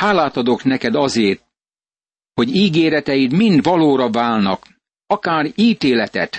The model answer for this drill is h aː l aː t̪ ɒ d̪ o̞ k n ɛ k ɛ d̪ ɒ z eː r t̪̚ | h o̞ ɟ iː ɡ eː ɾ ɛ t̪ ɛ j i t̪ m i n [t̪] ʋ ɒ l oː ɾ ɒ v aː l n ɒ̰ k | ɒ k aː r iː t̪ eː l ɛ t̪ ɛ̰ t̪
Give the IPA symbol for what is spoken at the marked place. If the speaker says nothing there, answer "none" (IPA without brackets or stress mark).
d̪